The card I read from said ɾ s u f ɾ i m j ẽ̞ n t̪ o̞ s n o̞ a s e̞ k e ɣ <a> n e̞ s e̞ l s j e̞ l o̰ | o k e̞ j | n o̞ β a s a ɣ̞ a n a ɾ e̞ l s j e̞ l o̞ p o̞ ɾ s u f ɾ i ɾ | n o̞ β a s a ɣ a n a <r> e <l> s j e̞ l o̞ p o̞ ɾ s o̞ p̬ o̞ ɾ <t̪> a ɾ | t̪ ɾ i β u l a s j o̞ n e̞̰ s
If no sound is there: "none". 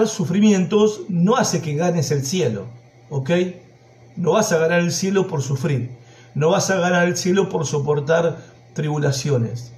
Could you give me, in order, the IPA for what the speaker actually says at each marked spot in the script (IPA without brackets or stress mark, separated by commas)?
a, ɾ, l, t̪